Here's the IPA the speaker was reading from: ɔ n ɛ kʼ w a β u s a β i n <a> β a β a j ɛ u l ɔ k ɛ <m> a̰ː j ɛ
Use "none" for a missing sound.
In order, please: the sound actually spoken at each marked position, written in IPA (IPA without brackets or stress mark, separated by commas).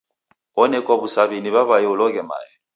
i, m